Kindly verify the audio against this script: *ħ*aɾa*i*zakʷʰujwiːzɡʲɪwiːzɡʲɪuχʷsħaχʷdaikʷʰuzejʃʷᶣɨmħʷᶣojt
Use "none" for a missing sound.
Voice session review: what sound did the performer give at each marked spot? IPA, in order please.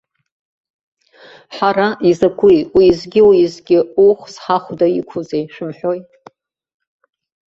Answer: ħ, i

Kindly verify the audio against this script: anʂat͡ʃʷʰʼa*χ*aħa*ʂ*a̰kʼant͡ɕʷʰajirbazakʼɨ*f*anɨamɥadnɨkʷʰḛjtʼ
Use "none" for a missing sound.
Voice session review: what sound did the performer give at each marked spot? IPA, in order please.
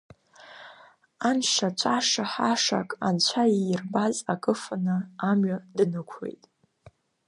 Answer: ʂ, ʂ, f

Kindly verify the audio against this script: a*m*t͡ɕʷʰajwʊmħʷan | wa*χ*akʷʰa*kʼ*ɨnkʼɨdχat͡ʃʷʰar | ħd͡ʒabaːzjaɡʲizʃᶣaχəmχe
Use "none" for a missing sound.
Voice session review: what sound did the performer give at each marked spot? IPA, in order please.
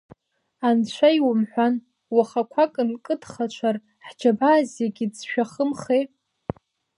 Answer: n, χ, kʼ

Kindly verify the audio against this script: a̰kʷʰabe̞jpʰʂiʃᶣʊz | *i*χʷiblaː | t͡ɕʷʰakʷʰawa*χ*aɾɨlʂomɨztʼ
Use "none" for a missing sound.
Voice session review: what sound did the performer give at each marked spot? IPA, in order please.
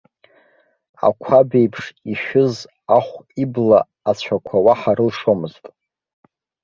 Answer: a, ħ

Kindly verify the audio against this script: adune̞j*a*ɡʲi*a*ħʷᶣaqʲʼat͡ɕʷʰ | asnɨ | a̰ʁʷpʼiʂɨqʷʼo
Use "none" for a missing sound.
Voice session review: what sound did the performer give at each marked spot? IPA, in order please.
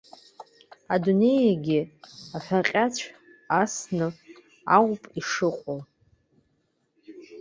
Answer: a, a

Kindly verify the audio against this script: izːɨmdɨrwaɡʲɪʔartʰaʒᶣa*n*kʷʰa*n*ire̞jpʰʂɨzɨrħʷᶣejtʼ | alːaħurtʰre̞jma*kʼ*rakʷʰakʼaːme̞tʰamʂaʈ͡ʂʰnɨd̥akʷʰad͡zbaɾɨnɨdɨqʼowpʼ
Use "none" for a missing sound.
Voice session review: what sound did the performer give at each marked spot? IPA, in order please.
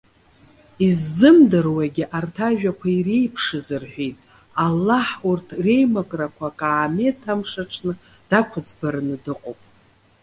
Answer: none, none, kʼ

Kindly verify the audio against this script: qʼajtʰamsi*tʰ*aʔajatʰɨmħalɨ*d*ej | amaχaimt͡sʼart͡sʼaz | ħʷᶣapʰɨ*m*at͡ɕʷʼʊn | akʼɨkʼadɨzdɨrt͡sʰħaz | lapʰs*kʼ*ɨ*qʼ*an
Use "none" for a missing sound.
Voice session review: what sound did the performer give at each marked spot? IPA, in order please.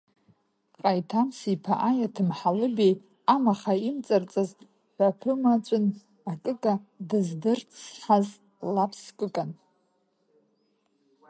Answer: pʰ, b, m, kʼ, kʼ

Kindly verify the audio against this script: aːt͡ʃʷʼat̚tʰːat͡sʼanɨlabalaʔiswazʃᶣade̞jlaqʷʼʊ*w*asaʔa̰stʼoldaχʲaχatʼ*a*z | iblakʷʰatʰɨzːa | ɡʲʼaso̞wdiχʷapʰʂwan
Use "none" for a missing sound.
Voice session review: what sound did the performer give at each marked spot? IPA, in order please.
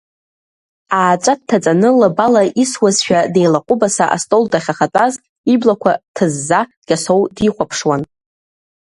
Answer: b, a

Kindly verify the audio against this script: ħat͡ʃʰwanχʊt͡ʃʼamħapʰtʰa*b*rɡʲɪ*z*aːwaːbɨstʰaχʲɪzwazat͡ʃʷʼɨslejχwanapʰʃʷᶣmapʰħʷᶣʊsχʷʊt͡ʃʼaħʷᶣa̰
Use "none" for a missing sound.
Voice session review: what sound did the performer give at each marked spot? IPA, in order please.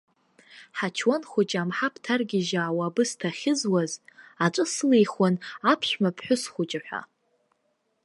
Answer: none, ʒ

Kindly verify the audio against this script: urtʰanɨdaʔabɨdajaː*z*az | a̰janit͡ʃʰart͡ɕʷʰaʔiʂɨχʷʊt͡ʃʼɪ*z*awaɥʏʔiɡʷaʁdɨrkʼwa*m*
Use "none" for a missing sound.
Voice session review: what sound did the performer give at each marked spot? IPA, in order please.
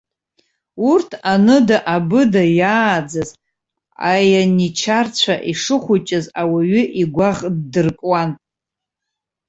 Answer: d͡z, z, n

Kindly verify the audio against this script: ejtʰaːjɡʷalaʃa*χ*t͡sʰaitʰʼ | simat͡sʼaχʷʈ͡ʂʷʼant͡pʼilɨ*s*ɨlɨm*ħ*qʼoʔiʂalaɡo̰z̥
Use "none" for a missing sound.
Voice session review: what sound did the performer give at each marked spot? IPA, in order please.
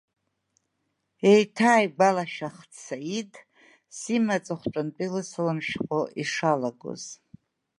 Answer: χ, s, ʃ

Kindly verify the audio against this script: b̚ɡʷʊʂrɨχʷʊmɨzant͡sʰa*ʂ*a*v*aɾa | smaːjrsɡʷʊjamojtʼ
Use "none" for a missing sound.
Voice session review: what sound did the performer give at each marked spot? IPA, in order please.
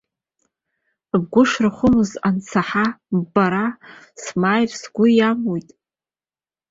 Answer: ħ, b

